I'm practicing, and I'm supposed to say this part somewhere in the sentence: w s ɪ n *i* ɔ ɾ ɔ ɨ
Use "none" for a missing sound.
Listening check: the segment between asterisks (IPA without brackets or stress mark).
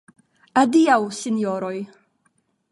j